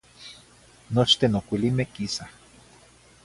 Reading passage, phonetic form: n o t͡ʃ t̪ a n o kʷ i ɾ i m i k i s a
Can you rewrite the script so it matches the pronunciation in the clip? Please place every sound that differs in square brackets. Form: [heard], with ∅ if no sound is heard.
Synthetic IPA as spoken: n o t͡ʃ t̪ [e] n o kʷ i [l] i m [e] k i s a